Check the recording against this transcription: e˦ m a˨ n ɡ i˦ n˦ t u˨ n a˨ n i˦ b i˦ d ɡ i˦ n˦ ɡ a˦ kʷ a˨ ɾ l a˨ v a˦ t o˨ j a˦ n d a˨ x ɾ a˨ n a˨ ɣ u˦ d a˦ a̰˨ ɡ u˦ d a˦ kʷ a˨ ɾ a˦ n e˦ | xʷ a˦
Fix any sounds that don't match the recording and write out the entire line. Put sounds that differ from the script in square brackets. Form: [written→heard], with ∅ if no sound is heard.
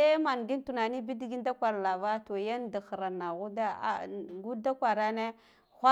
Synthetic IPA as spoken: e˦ m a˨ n ɡ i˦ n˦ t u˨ n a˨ n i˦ b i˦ d ɡ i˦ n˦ [ɡ→d] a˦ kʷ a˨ ɾ l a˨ v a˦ t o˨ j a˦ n d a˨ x ɾ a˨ n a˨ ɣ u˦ d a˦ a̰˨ ɡ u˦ d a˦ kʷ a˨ ɾ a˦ n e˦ | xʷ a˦